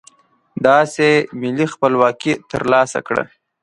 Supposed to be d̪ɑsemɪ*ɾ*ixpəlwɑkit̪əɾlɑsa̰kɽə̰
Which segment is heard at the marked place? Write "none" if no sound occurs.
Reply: l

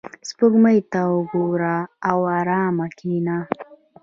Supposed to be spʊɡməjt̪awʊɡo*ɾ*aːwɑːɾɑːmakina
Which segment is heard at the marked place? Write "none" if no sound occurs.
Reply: ɾ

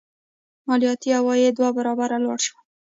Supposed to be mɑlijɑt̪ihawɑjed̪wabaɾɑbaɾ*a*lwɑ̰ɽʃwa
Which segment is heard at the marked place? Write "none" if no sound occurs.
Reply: a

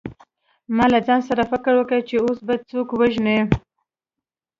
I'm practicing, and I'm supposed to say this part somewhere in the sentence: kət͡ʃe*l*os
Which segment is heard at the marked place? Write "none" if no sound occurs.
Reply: none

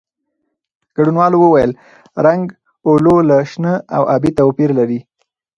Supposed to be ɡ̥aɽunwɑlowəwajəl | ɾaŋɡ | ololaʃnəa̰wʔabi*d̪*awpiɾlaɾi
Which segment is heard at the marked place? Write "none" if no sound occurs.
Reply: t̪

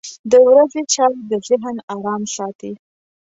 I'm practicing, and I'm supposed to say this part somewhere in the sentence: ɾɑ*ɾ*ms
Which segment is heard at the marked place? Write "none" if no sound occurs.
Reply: none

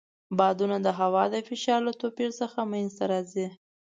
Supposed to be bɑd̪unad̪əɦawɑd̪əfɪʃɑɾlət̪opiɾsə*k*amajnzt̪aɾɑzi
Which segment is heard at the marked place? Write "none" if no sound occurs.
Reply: x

